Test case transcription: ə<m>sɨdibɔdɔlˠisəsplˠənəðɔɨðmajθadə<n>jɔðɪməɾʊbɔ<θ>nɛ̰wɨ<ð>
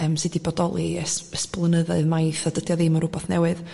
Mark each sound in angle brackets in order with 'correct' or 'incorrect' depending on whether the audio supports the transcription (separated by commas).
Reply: correct, incorrect, correct, correct